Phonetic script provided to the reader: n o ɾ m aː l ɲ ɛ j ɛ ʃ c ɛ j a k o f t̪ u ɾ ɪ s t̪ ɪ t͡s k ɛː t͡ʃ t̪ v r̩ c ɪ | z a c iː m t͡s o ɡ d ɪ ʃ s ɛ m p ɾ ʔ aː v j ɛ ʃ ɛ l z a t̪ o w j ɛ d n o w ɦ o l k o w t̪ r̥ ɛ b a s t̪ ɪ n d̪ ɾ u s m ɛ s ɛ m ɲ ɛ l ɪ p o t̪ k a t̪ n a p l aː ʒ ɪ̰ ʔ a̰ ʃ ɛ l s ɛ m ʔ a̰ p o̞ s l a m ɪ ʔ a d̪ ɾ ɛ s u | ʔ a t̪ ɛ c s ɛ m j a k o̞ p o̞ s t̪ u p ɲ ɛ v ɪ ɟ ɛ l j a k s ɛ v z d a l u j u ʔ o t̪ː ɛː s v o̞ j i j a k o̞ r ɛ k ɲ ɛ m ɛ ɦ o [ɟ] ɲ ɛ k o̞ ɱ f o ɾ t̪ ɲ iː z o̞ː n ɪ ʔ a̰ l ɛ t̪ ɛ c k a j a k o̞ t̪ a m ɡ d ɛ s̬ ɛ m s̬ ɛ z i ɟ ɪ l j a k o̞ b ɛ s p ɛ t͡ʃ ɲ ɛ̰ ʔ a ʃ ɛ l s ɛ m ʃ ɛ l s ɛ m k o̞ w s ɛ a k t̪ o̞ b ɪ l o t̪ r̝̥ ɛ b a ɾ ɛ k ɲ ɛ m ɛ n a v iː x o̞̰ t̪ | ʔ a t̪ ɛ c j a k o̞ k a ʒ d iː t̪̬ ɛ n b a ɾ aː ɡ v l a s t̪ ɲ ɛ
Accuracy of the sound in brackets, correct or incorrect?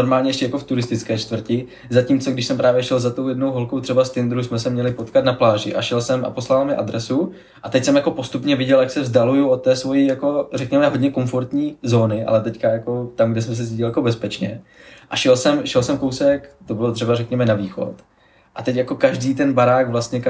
incorrect